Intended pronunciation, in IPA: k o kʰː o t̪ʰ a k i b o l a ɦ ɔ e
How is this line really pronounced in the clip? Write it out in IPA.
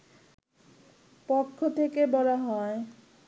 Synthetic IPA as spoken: p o kʰː o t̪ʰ e k e b ɔ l a ɦ ɔ e